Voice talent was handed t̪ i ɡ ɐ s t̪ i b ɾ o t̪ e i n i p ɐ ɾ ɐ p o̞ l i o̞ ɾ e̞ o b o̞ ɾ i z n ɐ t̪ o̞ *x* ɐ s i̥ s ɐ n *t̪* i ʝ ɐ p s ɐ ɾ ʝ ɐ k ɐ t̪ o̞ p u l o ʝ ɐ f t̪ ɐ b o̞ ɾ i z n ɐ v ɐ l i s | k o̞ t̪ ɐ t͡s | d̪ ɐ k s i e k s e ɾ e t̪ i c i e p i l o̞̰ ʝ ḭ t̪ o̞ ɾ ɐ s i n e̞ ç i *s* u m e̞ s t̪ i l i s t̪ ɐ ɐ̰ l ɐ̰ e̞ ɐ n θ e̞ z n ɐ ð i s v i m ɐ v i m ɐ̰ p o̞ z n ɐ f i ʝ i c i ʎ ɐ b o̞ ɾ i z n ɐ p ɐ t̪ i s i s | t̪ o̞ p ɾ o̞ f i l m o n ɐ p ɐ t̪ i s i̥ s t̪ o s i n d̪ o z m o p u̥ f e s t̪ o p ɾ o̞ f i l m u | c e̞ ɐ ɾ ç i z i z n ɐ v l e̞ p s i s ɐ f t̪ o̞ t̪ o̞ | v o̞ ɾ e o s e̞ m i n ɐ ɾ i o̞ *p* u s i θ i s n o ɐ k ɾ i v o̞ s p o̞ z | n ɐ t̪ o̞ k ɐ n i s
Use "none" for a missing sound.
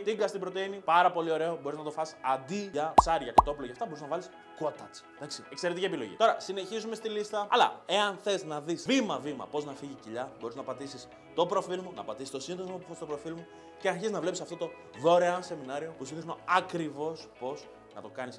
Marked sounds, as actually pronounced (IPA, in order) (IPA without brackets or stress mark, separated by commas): f, d̪, z, p